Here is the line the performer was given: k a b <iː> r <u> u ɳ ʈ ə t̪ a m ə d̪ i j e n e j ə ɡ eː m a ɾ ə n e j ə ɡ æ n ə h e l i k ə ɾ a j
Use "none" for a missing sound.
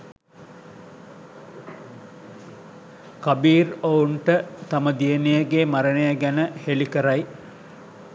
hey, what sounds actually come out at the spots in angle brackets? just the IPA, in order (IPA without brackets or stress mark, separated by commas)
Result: iː, o